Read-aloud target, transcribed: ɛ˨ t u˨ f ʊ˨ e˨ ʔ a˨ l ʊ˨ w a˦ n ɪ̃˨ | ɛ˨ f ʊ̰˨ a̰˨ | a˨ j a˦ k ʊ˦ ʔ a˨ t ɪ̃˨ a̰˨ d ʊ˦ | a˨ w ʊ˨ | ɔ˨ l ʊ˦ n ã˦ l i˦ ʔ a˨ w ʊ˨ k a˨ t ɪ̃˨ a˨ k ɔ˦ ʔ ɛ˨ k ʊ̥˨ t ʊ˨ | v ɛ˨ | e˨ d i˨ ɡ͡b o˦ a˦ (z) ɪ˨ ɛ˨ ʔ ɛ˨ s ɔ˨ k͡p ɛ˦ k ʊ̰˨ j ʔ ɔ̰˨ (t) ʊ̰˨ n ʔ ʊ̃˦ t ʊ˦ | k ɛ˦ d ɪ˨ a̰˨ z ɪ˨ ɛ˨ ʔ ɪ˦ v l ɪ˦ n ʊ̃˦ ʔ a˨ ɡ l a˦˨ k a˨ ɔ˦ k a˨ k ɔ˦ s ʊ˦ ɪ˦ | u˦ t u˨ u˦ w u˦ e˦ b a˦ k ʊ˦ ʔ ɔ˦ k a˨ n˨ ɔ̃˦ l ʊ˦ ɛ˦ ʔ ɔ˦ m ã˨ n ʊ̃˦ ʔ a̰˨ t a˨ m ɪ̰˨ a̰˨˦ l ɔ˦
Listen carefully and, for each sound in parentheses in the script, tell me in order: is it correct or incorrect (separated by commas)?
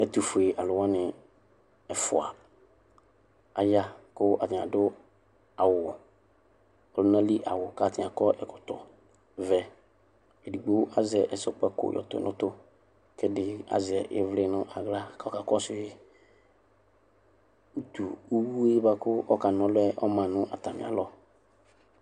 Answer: correct, correct